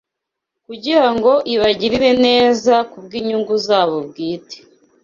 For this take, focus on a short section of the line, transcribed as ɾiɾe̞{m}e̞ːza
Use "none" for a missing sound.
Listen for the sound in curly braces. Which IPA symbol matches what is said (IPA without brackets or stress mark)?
n